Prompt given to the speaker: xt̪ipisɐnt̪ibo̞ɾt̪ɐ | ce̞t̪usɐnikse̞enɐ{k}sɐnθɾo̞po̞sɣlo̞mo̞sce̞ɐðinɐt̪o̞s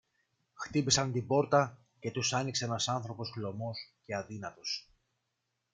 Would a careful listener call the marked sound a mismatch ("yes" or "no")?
yes